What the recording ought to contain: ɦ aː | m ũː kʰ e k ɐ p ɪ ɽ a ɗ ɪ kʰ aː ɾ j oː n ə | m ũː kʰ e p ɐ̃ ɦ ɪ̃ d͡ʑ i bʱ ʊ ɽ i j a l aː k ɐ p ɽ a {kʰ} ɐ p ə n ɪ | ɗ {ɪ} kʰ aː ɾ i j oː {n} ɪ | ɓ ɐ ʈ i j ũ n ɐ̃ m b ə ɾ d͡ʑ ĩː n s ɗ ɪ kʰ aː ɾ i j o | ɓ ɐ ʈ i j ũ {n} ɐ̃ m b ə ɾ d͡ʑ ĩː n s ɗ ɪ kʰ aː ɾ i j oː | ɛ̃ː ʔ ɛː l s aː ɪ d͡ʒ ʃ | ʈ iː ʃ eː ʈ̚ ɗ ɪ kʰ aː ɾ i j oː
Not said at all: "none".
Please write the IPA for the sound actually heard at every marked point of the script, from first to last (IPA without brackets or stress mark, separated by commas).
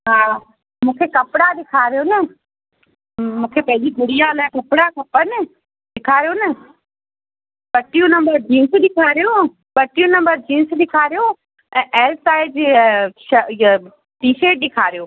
k, ɪ, n, n